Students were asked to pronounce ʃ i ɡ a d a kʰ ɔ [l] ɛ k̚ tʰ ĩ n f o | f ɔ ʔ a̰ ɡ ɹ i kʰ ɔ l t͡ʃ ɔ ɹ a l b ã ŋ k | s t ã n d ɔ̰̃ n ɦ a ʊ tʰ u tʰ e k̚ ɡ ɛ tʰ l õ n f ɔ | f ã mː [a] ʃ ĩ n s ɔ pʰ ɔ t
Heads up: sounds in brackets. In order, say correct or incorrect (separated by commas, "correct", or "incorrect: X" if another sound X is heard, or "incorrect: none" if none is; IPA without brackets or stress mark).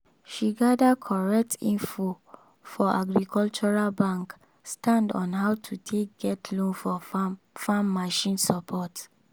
incorrect: ɹ, correct